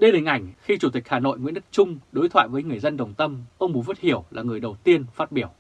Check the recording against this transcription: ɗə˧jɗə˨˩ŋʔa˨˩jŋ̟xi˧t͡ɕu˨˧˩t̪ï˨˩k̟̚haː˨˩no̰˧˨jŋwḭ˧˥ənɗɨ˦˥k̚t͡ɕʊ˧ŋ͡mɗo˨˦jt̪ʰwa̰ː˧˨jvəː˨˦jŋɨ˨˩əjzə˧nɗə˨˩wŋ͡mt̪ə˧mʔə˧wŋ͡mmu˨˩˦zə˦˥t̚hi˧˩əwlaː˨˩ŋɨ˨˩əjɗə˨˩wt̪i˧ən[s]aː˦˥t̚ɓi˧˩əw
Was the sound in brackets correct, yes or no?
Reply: no